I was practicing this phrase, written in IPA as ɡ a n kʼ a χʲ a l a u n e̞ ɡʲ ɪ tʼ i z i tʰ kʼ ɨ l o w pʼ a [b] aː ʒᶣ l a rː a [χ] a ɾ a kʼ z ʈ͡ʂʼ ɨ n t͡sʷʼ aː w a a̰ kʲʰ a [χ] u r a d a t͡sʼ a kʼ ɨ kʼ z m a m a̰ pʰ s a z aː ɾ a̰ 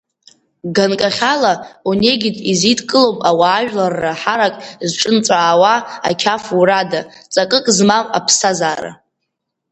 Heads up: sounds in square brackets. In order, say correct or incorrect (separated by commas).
incorrect, incorrect, incorrect